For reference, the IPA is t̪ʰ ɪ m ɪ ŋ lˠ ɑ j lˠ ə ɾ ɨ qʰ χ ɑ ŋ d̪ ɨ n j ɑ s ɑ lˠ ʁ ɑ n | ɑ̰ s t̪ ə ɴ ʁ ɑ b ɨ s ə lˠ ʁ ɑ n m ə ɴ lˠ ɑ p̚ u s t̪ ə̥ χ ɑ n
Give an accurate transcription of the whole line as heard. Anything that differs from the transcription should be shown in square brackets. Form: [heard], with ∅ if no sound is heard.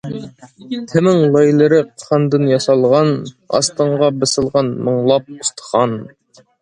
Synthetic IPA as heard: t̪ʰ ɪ m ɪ ŋ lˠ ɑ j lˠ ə ɾ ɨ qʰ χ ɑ [n] d̪ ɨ n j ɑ s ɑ lˠ ʁ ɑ n | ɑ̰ s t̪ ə ɴ ʁ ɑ b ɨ s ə lˠ ʁ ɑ n m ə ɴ lˠ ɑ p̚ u s t̪ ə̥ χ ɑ n